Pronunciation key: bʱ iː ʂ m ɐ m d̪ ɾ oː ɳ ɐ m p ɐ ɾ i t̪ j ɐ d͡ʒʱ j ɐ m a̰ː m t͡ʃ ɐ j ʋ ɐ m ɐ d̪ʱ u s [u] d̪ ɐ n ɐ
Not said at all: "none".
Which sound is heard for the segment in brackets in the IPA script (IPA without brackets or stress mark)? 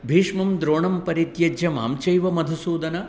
uː